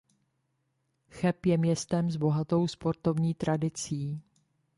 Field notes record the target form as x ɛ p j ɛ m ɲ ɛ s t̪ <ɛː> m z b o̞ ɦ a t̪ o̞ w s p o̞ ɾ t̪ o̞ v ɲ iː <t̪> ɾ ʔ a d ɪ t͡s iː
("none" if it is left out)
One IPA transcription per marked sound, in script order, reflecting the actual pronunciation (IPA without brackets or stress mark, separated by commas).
ɛ, t̪